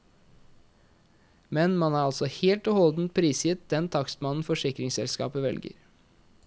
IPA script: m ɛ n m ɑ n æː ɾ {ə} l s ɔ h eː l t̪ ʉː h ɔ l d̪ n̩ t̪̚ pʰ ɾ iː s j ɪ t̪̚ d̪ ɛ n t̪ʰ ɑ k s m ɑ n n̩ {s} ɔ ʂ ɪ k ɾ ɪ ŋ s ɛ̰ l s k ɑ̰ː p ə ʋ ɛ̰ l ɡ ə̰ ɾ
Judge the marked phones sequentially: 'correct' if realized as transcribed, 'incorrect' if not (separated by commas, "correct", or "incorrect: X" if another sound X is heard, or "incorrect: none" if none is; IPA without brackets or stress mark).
incorrect: ɑ, incorrect: f